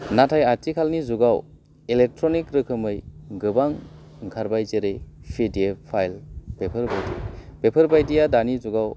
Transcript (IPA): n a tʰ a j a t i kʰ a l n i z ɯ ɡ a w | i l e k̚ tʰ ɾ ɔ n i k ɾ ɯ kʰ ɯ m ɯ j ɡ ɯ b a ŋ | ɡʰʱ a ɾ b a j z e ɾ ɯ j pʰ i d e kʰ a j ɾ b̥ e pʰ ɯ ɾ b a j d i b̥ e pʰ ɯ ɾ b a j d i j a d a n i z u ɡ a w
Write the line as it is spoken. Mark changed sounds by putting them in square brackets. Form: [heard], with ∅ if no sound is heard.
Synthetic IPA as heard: n a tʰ a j a t i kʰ a l n i z [u] ɡ a w | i l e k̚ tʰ ɾ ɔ n i k ɾ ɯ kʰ ɯ m ɯ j ɡ ɯ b a ŋ | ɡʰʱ a ɾ b a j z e ɾ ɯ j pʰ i d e [pʰ] a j [l] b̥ e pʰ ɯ ɾ b a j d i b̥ e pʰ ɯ ɾ b a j d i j a d a n i z u ɡ a w